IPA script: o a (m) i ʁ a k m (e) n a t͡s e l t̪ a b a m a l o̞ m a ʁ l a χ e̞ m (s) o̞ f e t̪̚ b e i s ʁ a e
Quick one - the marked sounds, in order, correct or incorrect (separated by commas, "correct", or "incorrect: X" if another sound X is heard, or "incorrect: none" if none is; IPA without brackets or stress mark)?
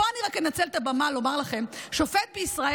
incorrect: n, correct, incorrect: ʃ